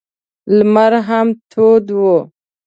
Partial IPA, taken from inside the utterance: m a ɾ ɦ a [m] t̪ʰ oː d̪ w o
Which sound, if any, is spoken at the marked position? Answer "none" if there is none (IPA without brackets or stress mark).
m